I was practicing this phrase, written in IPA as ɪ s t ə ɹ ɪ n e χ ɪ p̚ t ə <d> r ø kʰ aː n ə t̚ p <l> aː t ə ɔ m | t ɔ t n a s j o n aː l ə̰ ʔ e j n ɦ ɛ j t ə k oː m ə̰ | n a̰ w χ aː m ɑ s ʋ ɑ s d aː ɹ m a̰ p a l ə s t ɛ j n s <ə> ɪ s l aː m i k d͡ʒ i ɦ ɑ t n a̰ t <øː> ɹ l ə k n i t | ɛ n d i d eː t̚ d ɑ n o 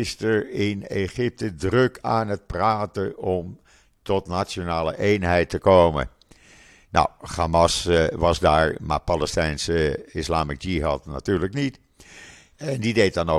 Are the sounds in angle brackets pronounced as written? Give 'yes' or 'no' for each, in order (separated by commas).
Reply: yes, no, yes, no